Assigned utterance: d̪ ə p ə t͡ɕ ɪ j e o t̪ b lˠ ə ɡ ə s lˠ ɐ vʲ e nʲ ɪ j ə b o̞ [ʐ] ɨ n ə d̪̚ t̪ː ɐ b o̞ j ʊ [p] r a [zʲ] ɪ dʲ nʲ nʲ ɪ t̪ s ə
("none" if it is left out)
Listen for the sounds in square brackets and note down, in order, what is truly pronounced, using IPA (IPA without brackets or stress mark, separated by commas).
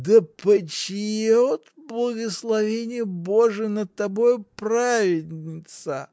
ʐ, p, vʲ